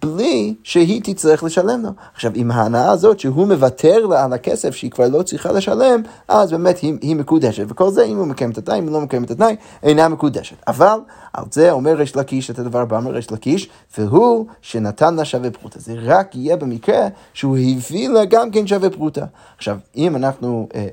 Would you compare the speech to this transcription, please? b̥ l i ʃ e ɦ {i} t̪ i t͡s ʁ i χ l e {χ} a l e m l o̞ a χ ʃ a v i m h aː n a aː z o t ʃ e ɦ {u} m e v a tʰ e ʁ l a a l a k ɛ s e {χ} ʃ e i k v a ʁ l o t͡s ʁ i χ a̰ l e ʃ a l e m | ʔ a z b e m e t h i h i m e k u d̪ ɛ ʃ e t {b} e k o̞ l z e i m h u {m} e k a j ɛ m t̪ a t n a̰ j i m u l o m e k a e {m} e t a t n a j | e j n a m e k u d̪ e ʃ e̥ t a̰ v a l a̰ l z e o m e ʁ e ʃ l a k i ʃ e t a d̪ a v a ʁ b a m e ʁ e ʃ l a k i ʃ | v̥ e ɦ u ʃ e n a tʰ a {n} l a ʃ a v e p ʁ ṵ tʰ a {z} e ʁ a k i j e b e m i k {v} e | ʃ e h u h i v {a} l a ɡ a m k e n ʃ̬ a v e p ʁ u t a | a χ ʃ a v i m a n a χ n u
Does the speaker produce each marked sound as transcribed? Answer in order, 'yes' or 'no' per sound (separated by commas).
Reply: yes, no, yes, no, no, yes, yes, yes, yes, no, no